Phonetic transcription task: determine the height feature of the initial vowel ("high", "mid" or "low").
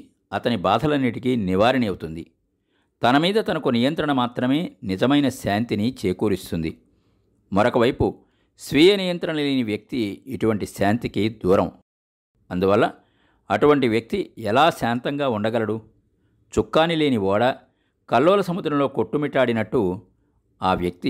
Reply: low